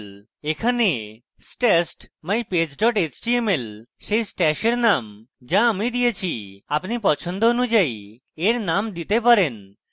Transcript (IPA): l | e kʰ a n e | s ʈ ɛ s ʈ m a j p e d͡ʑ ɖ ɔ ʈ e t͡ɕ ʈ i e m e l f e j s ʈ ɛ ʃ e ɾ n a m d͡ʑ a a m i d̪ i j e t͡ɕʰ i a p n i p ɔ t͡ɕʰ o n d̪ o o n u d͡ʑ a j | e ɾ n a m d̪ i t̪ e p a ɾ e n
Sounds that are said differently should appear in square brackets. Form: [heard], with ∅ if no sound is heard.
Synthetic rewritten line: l | e kʰ a n e | s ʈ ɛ s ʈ m a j p e d͡ʑ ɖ ɔ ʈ e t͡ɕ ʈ i e m e l [ʃ] e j s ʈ ɛ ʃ e ɾ n a m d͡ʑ a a m i d̪ i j e t͡ɕʰ i a p n i p ɔ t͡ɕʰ o n d̪ o o n u d͡ʑ a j | e ɾ n a m d̪ i t̪ e p a ɾ e n